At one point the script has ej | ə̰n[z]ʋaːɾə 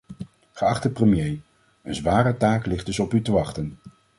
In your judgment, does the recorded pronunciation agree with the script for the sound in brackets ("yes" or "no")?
yes